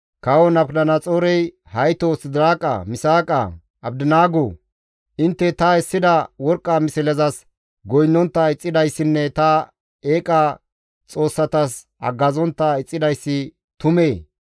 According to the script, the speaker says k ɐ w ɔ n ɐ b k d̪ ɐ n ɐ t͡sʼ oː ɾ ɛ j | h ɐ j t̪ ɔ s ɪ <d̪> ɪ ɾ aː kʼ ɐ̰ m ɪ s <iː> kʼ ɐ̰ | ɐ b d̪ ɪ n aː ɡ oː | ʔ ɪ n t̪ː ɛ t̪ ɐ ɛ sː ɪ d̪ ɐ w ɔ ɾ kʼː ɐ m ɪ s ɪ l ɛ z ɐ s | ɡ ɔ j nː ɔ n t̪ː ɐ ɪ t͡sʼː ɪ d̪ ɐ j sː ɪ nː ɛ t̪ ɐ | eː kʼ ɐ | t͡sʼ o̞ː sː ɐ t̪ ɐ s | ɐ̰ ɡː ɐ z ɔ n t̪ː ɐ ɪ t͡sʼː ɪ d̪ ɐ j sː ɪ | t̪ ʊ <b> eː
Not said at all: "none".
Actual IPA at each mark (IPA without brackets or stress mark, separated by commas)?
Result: d̪, aː, m